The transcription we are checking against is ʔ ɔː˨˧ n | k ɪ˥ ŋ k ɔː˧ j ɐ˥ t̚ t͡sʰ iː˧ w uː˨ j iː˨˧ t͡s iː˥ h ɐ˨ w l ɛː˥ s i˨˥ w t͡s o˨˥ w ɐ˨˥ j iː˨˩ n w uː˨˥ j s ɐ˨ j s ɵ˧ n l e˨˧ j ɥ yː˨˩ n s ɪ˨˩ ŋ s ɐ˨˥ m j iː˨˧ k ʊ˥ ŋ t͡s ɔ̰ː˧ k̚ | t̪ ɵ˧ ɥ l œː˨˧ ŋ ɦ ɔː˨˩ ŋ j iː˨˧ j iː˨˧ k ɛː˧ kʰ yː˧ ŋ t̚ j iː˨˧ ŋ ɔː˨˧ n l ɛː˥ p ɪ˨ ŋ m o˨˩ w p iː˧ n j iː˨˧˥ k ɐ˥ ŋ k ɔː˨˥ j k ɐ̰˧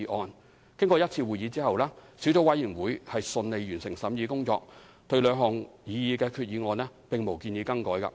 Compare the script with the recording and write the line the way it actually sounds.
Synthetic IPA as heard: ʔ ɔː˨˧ n | k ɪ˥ ŋ k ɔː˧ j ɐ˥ t̚ t͡sʰ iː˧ w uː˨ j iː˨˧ t͡s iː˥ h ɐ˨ w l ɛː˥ s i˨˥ w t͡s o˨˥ w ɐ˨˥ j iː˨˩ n w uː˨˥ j h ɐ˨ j s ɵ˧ n l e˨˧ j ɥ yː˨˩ n s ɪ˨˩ ŋ s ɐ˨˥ m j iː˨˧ k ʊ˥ ŋ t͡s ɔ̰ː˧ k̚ | t̪ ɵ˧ ɥ l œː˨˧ ŋ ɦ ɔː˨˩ ŋ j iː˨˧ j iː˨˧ k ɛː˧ kʰ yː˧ t̚ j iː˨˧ ŋ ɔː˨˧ n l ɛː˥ p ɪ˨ ŋ m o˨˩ w k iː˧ n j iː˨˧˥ k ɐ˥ ŋ k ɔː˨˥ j k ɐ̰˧